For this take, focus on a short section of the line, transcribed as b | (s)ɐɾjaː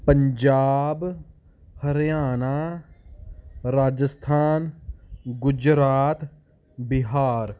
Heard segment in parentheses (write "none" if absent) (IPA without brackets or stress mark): h